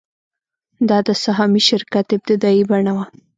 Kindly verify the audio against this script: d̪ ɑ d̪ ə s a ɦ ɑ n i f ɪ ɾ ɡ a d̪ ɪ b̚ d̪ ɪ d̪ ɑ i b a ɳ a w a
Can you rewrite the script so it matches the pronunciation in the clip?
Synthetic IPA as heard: d̪ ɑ d̪ ə s a ɦ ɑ m i ʃ ɪ ɾ k a t̪ ɪ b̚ t̪ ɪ d̪ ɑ i b a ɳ a w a

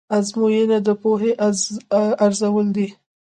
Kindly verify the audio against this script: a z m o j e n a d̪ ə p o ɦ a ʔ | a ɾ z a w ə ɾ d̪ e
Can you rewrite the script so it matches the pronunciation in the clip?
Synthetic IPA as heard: a z m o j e n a d̪ ə p o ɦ e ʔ | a ɾ z a w ə l d̪ i

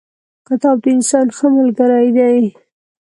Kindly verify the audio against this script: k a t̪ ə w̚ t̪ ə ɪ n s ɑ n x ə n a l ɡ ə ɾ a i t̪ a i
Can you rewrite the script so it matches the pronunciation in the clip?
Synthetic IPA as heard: k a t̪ ɑ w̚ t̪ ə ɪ n s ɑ n x ə m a l ɡ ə ɾ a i d̪ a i

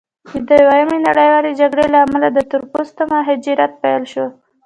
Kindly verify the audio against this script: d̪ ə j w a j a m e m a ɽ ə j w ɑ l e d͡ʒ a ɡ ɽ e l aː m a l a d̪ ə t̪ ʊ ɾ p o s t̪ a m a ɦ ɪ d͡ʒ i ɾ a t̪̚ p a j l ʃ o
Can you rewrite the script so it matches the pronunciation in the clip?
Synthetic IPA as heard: d̪ ə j w a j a m e n a ɽ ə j w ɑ l e d͡ʒ a ɡ ɽ e l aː m a l a d̪ ə t̪ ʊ ɾ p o s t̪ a m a ɦ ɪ d͡ʒ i ɾ a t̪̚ p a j l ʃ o

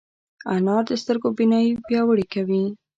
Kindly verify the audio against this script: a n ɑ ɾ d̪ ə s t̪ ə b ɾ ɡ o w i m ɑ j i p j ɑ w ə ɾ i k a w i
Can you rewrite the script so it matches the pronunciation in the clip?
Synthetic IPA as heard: a n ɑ ɾ d̪ ə s t̪ ə ɾ ɡ o b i n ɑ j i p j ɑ w ə ɽ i k a w i

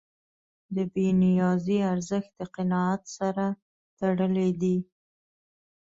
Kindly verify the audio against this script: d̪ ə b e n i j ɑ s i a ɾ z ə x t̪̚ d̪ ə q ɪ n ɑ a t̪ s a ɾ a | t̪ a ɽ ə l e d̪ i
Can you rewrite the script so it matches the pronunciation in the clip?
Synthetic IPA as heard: d̪ ə b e n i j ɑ z i a ɾ z ə x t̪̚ d̪ ə q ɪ n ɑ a t̪ s a ɾ a | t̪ a ɽ ə l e d̪ i

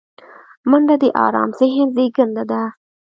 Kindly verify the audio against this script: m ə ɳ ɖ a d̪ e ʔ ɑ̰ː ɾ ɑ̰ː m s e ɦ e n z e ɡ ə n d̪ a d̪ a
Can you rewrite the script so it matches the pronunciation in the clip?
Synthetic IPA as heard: m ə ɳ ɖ a d̪ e ʔ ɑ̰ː ɾ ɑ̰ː m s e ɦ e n z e ɡ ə n d̪ a d̪ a

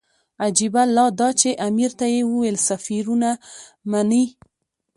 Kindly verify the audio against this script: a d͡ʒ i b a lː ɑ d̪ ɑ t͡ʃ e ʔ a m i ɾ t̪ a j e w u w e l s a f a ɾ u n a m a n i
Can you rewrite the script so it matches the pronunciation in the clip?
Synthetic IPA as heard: a d͡ʒ i b a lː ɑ d̪ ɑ t͡ʃ e ʔ a m i ɾ t̪ a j e w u w e l s a f i ɾ u n a m a n i

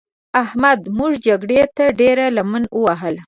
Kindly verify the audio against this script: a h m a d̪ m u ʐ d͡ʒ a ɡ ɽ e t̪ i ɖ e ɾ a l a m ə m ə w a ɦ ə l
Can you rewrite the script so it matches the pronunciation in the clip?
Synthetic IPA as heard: a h m a d̪ m u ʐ d͡ʒ a ɡ ɽ e t̪ a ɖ e ɾ a l a m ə n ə w a ɦ ə l

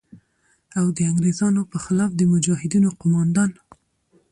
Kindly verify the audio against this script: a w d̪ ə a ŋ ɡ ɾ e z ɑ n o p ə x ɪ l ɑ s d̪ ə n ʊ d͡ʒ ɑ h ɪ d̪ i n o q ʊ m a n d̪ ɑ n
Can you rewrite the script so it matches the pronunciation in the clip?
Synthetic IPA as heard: a w d̪ ə a ŋ ɡ ɾ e z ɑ n o p ə x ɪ l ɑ f d̪ ə m ʊ d͡ʒ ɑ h ɪ d̪ i n o q ʊ m ɑ n d̪ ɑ n

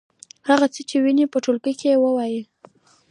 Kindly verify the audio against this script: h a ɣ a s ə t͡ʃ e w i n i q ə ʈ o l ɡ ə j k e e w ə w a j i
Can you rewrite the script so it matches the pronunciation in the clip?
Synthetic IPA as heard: h a ɣ a t͡s ə t͡ʃ e w i n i p ə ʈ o l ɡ ə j k e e w ə w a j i

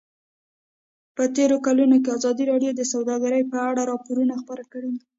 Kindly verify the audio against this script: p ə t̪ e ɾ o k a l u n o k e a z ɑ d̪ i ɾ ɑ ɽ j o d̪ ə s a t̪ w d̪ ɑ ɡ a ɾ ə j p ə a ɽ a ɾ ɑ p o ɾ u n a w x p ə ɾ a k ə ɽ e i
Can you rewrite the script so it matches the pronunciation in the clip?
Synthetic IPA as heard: p ə t̪ e ɾ o k a l u n o k e a z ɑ d̪ i ɾ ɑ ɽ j o d̪ ə s a w d̪ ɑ ɡ a ɾ ə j p ə a ɽ a ɾ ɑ p o ɾ u n a x p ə ɾ a k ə ɽ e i

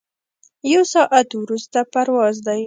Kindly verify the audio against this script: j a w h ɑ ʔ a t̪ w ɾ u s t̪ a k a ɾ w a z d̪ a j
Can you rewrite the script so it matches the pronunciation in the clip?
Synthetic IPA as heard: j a w s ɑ ʔ a t̪ w ɾ u s t̪ a p a ɾ w ɑ z d̪ a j

